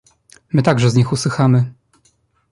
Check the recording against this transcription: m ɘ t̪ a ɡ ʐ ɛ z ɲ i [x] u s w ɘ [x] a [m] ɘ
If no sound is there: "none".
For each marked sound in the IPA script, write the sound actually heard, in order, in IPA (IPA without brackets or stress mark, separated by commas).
x, x, m